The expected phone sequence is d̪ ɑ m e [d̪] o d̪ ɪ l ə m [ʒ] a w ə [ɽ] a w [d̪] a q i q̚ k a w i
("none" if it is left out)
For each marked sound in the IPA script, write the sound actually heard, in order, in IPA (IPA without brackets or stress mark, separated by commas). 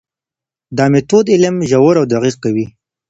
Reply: t̪, ʒ, ɾ, d̪